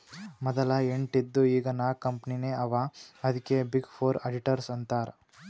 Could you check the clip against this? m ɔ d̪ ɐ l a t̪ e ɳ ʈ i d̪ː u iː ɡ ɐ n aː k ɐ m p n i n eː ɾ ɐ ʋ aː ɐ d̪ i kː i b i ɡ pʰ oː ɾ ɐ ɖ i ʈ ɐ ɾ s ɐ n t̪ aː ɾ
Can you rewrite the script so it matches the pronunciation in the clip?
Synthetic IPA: m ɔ d̪ ɐ l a e ɳ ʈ i d̪ː u iː ɡ ɐ n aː k ɐ m p n i n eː ɐ ʋ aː ɐ d̪ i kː e b i ɡ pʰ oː ɾ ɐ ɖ i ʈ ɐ ɾ s ɐ n t̪ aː ɾ

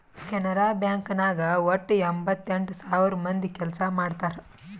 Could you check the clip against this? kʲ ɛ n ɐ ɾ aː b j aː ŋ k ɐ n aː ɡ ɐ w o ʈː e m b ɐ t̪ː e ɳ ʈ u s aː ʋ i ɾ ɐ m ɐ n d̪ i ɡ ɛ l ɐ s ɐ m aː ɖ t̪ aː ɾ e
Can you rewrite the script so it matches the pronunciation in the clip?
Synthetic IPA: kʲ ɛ n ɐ ɾ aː b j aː ŋ k ɐ n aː ɡ ɐ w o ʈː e m b ɐ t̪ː e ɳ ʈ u s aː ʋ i ɾ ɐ m ɐ n d̪ i k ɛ l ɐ s ɐ m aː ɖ t̪ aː ɾ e

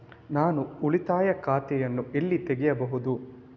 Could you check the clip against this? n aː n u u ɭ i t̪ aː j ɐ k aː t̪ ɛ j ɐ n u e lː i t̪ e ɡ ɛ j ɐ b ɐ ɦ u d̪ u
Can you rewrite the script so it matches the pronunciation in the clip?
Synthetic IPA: n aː n u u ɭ i t̪ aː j ɐ k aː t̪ ɛ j ɐ nː u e lː i t̪ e ɡ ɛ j ɐ b ɐ ɦ u d̪ u

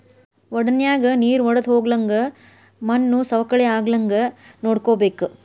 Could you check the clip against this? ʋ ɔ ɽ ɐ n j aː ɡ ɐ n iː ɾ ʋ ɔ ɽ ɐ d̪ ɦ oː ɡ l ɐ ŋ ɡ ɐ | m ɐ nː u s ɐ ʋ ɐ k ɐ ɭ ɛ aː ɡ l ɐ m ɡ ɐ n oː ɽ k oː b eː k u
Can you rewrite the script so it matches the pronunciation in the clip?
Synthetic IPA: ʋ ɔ ɽ ɐ n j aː ɡ ɐ n iː ɾ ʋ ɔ ɽ ɐ d̪ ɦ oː ɡ l ɐ ŋ ɡ ɐ | m ɐ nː u s ɐ ʋ ɐ k ɐ ɭ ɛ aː ɡ l ɐ ŋ ɡ ɐ n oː ɽ k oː b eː k u

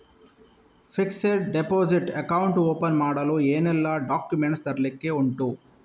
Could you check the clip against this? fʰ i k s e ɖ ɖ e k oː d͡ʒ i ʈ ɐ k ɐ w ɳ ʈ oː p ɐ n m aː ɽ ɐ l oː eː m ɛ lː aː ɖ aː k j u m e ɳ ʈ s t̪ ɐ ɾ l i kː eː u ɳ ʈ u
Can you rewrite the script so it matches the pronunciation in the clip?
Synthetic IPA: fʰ i k s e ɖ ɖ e p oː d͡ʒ i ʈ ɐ k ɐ w ɳ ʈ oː p ɐ n m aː ɽ ɐ l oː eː n ɛ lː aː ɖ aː k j u m e ɳ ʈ s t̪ ɐ ɾ l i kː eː u ɳ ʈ u

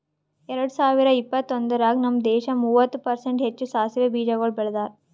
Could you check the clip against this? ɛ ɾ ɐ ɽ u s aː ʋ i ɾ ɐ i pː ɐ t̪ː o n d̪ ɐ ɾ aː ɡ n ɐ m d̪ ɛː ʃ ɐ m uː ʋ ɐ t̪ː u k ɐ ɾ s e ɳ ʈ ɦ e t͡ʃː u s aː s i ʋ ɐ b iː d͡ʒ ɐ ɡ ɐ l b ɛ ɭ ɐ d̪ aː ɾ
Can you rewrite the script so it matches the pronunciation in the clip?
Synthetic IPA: ɛ ɾ ɐ ɽ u s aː ʋ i ɾ ɐ i pː ɐ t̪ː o n d̪ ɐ ɾ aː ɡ n ɐ m d̪ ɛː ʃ ɐ m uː ʋ ɐ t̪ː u p ɐ ɾ s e ɳ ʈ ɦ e t͡ʃː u s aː s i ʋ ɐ b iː d͡ʒ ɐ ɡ ɐ ɭ b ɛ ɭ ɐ d̪ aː ɾ

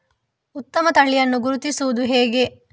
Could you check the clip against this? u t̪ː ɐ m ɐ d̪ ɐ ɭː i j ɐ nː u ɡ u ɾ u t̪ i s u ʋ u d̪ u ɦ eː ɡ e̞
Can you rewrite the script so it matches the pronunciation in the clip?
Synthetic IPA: u t̪ː ɐ m ɐ t̪ ɐ ɭː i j ɐ nː u ɡ u ɾ u t̪ i s u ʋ u d̪ u ɦ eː ɡ e̞

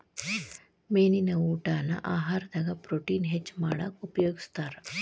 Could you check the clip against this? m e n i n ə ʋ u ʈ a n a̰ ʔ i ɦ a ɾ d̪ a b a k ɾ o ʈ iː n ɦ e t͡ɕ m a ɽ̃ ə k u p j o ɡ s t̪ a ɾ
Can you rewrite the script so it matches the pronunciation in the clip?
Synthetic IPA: m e n i n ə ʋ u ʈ a n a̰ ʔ a ɦ a ɾ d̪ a ɡ a p ɾ o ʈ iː n ɦ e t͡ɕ m a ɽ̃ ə k u p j o ɡ s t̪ a ɾ

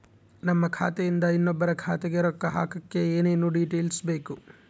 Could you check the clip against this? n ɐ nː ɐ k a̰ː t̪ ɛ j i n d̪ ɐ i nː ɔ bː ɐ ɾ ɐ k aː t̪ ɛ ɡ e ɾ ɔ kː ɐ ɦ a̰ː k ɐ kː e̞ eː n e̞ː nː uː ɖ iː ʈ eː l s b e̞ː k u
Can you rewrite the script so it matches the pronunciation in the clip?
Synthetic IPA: n ɐ mː ɐ kʰ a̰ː t̪ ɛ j i n d̪ ɐ i nː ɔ bː ɐ ɾ ɐ kʰ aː t̪ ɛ ɡ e ɾ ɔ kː ɐ ɦ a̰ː k ɐ kː e̞ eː n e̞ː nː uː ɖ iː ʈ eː l s b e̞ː k u

